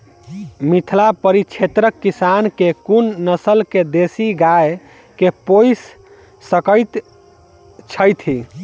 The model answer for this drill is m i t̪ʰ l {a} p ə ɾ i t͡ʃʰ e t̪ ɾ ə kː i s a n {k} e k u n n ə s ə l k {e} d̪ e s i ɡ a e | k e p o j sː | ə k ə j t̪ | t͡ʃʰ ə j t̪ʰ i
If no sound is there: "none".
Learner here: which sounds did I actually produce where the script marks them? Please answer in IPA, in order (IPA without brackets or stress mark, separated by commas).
a, k, e